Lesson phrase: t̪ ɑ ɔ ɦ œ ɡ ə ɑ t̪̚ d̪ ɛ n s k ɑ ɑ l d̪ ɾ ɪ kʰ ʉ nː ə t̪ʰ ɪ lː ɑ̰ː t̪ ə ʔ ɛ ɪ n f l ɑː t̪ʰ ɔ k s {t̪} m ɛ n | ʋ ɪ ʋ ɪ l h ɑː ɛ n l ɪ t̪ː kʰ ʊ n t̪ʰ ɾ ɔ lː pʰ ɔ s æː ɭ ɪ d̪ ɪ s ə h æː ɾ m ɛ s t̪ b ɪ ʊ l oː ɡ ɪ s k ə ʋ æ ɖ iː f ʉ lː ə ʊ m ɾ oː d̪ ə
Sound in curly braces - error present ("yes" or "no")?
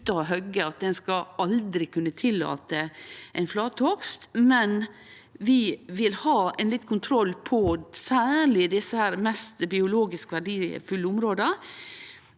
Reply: no